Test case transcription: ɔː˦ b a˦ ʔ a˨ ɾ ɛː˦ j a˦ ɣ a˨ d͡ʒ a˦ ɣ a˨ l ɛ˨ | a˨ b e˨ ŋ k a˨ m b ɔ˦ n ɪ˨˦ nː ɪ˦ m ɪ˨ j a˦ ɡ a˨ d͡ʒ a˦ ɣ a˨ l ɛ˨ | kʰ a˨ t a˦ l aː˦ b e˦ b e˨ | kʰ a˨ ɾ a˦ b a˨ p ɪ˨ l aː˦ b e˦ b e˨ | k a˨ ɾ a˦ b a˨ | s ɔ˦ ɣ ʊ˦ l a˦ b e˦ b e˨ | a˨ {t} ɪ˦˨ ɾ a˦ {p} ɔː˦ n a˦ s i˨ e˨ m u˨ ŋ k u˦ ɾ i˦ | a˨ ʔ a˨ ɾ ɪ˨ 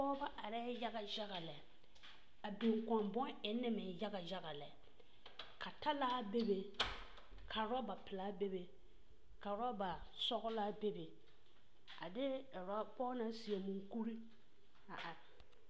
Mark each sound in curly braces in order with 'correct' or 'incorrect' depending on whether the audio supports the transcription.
incorrect, correct

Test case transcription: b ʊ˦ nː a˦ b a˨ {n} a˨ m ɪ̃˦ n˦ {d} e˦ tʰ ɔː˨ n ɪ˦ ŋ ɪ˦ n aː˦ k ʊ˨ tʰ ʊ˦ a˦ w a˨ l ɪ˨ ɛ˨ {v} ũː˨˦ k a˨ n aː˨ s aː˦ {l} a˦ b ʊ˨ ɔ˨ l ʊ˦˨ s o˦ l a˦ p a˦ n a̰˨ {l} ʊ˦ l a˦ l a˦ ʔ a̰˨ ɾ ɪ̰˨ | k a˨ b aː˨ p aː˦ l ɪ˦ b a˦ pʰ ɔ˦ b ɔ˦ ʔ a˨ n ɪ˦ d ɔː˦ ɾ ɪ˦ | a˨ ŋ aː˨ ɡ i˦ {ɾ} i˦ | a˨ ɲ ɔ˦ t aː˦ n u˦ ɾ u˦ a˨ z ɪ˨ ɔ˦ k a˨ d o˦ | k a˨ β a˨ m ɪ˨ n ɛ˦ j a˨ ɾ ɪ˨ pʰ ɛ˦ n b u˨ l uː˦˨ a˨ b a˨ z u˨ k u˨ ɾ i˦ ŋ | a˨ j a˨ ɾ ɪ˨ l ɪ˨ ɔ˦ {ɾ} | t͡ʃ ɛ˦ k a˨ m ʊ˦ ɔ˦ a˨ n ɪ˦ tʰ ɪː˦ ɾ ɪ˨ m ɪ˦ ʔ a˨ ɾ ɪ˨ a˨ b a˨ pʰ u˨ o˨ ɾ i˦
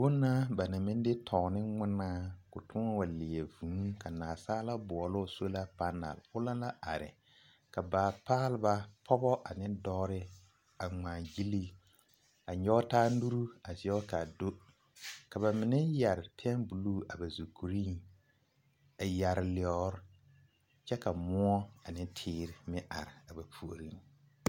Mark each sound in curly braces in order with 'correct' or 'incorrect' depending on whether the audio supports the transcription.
correct, correct, correct, correct, correct, incorrect, correct

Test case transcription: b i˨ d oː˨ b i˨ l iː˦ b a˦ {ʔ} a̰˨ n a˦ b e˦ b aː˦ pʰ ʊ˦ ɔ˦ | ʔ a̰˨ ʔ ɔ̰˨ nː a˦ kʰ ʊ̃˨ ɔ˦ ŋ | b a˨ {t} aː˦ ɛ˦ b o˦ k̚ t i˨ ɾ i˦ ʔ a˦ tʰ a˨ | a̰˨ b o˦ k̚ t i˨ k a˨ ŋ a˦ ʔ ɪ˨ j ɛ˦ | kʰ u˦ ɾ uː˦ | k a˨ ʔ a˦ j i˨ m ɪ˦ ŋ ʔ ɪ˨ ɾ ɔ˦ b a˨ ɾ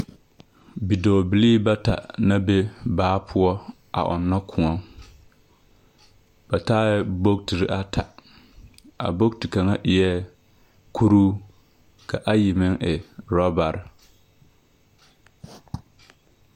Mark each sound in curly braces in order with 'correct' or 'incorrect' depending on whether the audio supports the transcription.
incorrect, correct

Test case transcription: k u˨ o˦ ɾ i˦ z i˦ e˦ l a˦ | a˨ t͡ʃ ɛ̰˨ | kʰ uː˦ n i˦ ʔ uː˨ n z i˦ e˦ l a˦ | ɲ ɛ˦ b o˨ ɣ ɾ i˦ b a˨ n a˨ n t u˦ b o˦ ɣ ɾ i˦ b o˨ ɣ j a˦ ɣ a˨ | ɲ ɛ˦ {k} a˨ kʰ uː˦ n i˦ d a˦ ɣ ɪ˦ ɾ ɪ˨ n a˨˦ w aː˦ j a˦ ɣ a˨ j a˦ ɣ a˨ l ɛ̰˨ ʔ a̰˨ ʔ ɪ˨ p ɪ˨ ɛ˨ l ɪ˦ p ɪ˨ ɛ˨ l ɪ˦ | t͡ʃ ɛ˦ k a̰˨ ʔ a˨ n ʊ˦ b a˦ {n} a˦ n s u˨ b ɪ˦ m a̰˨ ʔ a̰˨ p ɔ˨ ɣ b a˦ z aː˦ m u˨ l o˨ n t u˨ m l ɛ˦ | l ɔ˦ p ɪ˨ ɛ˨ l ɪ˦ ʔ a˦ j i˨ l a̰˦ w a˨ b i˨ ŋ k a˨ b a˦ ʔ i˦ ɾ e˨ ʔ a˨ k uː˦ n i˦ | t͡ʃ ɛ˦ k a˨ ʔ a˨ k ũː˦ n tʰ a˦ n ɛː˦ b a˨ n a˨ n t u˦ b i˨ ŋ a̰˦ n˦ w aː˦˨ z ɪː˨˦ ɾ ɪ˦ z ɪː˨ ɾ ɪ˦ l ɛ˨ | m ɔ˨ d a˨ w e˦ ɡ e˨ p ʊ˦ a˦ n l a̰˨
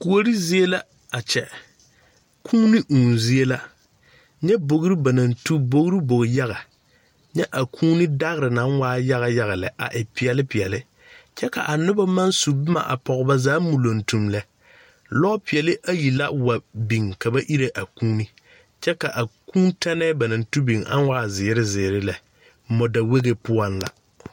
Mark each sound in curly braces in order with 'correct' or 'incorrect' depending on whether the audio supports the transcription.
incorrect, incorrect

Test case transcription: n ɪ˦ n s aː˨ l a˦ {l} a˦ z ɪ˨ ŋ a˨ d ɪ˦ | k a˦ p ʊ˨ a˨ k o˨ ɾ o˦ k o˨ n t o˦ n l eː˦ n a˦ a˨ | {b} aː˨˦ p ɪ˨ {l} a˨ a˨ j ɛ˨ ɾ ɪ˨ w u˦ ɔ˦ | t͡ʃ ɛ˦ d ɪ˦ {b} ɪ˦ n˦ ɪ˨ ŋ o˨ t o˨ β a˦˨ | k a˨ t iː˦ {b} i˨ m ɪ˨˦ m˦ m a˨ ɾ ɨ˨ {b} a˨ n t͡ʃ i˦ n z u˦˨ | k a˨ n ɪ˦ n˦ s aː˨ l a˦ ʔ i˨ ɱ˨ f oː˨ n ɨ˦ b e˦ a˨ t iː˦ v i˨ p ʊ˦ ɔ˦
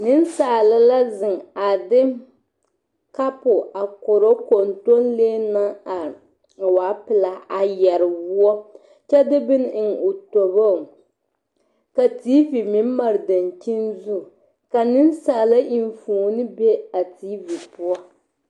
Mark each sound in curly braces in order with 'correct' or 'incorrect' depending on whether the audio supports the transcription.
correct, incorrect, correct, correct, incorrect, incorrect

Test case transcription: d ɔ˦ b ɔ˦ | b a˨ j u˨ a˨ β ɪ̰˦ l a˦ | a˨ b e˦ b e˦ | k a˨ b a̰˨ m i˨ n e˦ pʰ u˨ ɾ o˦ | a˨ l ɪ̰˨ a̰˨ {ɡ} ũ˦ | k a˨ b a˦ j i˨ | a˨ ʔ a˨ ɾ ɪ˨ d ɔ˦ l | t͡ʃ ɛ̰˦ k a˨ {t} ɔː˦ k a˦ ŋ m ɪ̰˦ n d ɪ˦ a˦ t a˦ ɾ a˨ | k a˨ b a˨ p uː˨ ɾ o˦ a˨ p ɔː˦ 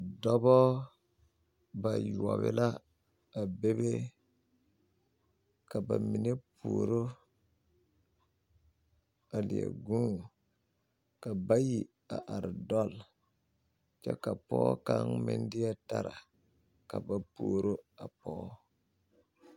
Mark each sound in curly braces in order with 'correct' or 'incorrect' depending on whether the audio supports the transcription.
correct, incorrect

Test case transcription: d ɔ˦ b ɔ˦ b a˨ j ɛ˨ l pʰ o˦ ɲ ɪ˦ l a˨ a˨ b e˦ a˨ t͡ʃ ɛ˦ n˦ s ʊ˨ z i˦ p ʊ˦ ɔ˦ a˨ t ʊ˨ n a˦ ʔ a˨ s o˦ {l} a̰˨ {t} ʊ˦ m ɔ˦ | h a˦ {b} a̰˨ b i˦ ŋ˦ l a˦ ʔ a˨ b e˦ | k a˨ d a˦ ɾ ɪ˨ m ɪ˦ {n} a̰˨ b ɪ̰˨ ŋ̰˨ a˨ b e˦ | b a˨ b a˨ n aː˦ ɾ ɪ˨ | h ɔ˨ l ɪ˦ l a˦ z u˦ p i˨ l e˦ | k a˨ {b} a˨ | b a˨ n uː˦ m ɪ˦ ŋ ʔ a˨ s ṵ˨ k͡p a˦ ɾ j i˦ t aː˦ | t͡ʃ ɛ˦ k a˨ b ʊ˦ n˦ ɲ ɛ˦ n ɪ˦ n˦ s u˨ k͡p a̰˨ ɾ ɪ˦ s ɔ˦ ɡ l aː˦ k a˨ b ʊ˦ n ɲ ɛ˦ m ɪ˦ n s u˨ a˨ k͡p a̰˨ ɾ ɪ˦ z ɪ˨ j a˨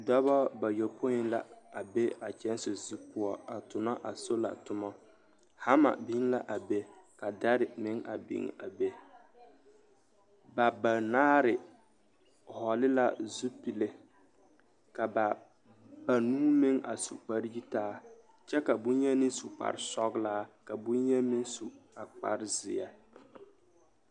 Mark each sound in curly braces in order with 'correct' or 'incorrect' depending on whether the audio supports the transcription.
correct, correct, incorrect, incorrect, correct

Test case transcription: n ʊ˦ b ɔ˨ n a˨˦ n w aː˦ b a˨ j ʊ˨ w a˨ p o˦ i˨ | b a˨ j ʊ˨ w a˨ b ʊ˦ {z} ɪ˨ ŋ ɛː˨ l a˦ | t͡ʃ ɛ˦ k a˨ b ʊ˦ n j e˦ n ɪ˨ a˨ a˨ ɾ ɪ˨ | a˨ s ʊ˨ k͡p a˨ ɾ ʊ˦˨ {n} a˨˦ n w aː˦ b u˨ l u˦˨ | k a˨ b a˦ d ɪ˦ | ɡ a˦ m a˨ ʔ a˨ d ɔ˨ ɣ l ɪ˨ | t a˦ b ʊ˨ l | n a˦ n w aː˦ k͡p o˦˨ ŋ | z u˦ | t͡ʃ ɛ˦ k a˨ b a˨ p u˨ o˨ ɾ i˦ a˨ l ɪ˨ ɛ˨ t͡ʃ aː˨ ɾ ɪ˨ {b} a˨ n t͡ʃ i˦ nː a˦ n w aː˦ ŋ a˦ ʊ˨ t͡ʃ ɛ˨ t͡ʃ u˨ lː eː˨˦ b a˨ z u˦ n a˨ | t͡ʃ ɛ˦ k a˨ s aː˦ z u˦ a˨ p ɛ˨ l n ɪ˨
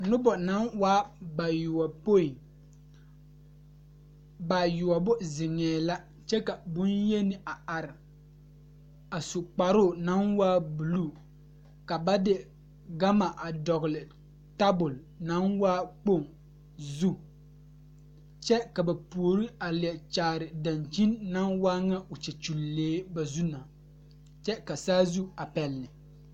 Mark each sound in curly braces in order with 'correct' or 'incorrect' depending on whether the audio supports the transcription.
correct, correct, incorrect

